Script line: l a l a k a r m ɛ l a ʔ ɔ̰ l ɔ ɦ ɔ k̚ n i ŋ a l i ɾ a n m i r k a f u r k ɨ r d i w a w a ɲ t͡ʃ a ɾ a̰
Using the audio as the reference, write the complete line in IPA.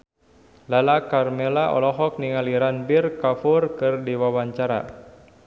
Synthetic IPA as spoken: l a l a k a r m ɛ l a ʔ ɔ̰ l ɔ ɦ ɔ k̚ n i ŋ a l i ɾ a n b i r k a f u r k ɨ r d i w a w a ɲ t͡ʃ a ɾ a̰